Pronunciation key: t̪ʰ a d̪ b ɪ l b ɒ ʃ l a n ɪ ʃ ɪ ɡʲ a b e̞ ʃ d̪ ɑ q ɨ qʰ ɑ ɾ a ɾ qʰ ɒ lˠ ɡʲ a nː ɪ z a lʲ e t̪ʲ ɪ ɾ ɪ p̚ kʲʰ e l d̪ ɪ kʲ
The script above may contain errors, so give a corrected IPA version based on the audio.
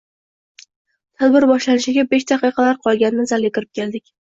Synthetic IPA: t̪ʰ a d̪ b ɪ ɾ b ɒ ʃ l a n ɪ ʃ ɪ ɡʲ a b e̞ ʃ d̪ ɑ q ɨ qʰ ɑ l a ɾ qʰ ɒ lˠ ɡʲ a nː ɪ z a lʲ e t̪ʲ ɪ ɾ ɪ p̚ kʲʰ e l d̪ ɪ kʲ